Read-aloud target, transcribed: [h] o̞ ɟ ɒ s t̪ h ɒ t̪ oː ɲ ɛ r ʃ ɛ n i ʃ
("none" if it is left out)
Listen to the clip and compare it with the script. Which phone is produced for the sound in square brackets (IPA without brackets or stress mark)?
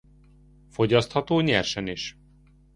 f